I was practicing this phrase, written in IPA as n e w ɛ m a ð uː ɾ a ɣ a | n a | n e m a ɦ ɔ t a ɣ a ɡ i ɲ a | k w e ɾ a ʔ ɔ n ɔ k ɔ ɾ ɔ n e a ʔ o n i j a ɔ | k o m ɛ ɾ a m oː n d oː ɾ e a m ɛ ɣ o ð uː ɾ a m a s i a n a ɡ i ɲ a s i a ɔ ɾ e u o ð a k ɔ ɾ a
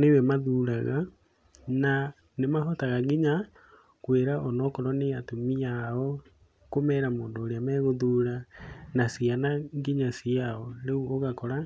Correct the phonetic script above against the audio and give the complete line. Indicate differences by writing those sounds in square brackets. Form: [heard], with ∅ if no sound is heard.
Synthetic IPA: n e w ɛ m a ð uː ɾ a ɣ a | n a | n e m a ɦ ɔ t a ɣ a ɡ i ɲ a | k w e ɾ a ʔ ɔ n ɔ k ɔ ɾ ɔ n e a [t] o [m] i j a ɔ | k o m ɛ ɾ a m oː n d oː ɾ e a m ɛ ɣ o ð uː ɾ a [n] a s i a n a ɡ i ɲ a s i a ɔ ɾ e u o [ɣ] a k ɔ ɾ a